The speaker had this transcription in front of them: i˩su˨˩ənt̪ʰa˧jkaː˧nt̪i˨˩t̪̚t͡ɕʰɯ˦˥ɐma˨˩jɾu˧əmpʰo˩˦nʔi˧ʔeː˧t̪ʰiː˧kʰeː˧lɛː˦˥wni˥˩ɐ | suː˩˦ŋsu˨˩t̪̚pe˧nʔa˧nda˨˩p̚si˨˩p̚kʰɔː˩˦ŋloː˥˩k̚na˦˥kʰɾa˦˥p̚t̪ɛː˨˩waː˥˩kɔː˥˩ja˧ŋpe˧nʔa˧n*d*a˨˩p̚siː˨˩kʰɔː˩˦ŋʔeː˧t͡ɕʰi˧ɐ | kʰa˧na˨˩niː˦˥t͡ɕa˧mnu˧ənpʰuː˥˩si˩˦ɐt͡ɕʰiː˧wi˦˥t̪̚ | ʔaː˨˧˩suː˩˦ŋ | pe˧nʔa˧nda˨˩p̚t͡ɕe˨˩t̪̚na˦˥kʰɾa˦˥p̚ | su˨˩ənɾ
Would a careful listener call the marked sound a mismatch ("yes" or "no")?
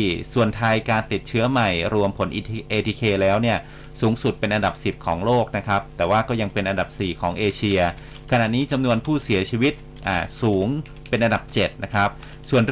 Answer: no